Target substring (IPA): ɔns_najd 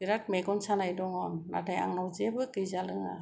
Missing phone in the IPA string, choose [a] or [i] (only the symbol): a